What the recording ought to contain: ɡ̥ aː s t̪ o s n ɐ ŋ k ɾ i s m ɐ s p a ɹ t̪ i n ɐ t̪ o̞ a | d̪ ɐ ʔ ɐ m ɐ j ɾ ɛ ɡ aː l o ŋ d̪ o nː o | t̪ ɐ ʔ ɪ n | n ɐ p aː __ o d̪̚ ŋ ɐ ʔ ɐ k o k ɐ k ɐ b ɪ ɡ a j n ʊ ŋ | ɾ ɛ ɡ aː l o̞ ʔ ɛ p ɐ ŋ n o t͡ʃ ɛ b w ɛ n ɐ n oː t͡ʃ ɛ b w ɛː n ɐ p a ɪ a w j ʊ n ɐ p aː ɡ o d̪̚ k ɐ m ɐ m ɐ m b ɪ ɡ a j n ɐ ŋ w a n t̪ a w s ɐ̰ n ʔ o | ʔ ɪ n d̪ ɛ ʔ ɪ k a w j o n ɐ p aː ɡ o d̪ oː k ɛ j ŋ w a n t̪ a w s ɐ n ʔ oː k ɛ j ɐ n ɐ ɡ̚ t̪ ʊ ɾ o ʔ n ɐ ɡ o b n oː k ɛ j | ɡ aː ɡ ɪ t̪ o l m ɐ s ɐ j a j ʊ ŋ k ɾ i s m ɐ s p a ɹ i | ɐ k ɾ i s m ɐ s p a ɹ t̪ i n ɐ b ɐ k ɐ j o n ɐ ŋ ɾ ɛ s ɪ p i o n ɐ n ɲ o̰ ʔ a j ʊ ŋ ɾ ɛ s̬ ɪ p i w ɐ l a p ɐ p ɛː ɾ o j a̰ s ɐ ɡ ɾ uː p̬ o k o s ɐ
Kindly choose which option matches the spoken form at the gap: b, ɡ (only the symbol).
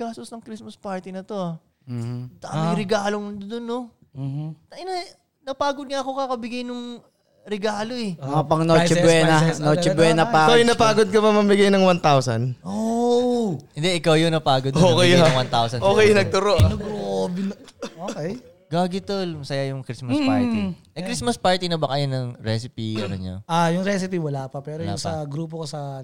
ɡ